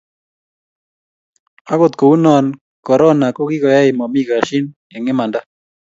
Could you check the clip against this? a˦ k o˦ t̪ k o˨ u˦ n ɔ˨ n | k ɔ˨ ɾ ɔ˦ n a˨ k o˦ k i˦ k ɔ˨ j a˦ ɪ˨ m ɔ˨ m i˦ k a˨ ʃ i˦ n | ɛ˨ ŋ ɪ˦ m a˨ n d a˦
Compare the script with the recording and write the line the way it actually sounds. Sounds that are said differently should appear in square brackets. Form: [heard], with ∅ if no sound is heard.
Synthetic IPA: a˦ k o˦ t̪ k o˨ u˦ n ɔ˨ n | k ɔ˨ ɾ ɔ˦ n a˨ k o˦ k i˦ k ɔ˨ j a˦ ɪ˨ m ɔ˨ m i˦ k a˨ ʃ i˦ n | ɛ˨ ŋ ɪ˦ m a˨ n d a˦